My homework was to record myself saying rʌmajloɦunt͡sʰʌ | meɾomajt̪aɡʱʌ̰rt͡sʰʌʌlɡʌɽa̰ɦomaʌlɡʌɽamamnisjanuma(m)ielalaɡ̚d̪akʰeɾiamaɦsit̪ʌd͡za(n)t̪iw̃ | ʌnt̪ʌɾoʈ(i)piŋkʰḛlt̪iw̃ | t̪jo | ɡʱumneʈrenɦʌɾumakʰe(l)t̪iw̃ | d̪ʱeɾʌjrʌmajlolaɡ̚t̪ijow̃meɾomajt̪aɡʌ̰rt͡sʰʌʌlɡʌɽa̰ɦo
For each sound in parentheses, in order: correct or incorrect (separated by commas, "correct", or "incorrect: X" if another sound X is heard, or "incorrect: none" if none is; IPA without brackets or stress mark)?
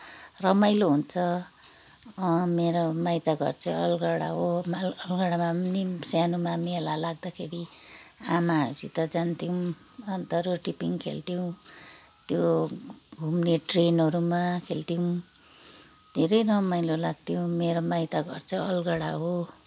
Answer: correct, correct, correct, correct